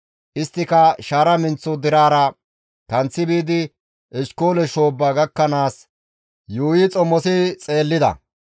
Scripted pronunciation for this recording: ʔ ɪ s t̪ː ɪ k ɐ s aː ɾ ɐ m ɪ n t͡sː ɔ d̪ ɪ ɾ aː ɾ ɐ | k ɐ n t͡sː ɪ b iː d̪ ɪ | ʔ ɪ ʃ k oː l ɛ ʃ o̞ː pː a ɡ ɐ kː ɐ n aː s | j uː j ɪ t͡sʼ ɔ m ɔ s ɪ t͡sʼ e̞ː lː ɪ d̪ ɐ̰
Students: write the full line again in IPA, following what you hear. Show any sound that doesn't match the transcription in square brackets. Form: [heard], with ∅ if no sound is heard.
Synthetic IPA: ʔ ɪ s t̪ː ɪ k ɐ [ʃ] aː ɾ ɐ m ɪ n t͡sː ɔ d̪ ɪ ɾ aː ɾ ɐ | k ɐ n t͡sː ɪ b iː d̪ ɪ | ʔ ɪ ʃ k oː l ɛ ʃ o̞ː [bː] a ɡ ɐ kː ɐ n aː s | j uː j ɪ t͡sʼ ɔ m ɔ s ɪ t͡sʼ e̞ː lː ɪ d̪ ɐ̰